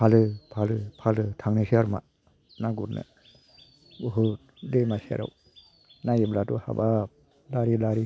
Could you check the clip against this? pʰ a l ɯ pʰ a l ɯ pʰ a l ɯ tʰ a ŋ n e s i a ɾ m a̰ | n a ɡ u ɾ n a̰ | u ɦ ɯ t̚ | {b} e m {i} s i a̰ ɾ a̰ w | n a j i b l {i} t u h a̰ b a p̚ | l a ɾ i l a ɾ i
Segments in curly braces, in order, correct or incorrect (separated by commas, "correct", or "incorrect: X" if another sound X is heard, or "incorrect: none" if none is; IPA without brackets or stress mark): incorrect: d, incorrect: a, incorrect: a